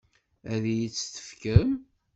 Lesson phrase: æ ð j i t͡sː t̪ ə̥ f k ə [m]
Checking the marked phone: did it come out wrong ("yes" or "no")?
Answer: no